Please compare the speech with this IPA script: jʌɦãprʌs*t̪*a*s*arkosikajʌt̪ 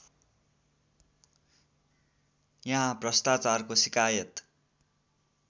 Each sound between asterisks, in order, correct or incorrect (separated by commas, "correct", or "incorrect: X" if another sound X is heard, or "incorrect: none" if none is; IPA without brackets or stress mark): correct, incorrect: t͡s